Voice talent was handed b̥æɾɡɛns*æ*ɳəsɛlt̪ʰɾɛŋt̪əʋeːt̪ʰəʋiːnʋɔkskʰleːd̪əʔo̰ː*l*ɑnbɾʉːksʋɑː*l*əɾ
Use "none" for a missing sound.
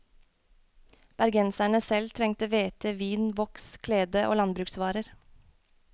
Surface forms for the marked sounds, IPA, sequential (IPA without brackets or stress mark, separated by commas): æ, l, ɾ